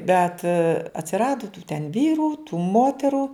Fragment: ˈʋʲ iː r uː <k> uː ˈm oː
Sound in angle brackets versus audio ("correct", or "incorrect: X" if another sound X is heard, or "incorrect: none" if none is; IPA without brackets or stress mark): incorrect: t